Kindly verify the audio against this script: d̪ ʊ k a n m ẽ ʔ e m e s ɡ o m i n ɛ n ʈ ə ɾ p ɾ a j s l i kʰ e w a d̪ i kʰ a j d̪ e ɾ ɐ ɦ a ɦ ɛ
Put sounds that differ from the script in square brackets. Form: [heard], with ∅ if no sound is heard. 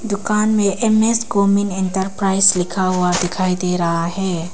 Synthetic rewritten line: d̪ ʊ k a n m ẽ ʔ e m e s ɡ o m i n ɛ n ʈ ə ɾ p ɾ a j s l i kʰ [a] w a d̪ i kʰ a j d̪ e ɾ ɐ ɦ a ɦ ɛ